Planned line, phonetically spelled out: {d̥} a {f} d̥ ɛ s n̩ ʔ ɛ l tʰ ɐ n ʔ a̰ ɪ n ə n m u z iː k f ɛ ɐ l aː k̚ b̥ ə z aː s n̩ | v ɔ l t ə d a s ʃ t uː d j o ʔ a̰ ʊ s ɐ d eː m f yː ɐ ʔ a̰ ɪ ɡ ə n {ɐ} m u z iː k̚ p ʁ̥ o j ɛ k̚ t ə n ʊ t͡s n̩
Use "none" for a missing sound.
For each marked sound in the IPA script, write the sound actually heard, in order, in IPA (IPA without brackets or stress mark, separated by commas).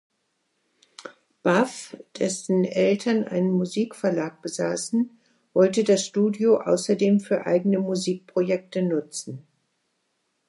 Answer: b̥, f, ə